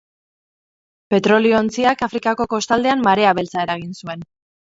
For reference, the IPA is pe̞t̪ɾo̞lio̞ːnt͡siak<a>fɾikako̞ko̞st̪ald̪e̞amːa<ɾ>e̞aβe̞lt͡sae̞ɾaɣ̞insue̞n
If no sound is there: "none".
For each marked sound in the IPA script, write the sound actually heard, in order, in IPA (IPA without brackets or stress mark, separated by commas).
a, ɾ